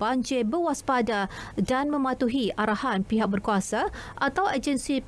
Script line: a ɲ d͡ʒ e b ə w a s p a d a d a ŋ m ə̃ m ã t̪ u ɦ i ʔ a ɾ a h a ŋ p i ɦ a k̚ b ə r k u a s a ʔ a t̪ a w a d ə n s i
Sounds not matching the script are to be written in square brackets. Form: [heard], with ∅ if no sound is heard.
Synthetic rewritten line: a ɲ d͡ʒ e b ə w a s p a d a d a [n] m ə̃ m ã t̪ u ɦ i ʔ a ɾ a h a [n] p i ɦ a k̚ b ə r k u a s a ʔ a t̪ a w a [d͡ʒ] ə n s i